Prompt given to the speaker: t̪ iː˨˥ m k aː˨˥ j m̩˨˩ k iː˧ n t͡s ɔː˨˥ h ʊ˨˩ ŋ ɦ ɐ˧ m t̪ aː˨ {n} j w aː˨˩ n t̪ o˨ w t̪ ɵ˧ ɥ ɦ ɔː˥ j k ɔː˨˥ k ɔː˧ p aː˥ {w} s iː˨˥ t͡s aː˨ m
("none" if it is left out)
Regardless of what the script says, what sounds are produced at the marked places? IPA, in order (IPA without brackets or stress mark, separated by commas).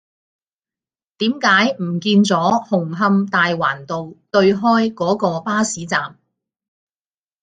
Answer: none, none